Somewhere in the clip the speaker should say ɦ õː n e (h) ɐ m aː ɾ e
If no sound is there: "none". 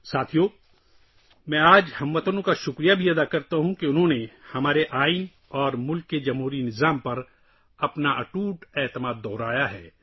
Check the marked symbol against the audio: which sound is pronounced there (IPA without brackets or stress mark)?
h